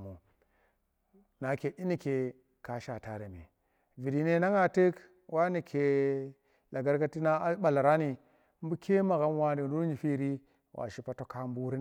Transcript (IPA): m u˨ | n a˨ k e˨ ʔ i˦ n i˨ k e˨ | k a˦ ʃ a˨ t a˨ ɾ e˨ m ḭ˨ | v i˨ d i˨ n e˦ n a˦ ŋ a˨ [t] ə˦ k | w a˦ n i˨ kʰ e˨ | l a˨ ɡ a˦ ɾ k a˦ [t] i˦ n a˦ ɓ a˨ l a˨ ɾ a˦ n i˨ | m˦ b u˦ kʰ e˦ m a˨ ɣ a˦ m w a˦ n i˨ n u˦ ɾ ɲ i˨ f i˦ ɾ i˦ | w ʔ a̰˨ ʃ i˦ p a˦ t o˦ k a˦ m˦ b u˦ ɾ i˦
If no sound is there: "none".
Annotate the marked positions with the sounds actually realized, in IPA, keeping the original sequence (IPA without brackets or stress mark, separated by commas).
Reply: t, t